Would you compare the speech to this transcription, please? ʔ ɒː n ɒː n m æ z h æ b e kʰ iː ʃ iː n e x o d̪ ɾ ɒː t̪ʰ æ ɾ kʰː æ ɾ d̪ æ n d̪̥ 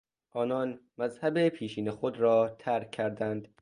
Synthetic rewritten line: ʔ ɒː n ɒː n m æ z h æ b e pʰ iː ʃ iː n e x o d̪ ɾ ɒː t̪ʰ æ ɾ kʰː æ ɾ d̪ æ n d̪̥